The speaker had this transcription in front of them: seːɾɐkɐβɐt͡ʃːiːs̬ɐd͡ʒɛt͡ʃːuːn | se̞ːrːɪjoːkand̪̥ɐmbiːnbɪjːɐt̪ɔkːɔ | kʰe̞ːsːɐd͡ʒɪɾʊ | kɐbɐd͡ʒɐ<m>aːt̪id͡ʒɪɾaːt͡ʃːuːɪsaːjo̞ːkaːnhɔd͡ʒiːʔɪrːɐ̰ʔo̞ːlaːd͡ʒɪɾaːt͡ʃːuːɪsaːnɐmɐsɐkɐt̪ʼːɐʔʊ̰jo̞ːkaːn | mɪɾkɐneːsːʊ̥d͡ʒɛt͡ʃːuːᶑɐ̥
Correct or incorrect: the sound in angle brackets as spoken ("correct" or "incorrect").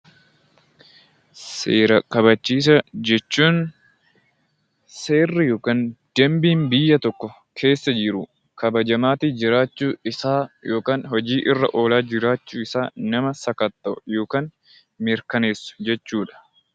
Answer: correct